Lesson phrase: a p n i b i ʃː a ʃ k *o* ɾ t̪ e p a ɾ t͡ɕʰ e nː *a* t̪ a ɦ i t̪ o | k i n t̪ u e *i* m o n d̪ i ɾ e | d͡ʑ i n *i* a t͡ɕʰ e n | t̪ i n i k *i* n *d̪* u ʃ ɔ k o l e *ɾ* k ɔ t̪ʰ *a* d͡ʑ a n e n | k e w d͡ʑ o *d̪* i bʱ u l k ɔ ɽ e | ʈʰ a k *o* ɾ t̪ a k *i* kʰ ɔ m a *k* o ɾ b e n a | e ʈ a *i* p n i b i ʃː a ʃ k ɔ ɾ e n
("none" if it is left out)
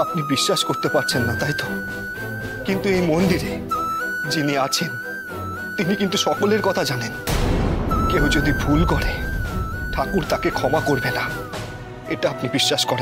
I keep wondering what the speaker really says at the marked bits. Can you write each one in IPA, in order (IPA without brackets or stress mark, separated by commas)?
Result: o, a, j, i, i, t̪, ɾ, a, d̪, u, e, k, a